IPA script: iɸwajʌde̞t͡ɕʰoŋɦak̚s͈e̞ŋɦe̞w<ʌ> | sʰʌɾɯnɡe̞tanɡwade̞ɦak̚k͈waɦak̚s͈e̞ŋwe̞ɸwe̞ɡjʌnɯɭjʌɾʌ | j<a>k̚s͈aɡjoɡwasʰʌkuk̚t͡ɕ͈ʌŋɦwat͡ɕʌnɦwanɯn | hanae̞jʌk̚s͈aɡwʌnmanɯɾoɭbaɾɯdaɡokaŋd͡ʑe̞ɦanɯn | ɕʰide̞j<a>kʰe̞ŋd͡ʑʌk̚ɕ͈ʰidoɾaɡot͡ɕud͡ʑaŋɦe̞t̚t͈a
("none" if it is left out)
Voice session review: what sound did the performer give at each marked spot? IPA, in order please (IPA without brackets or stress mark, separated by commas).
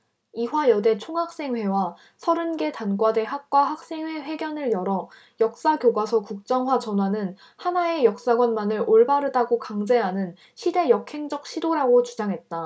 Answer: a, ʌ, ʌ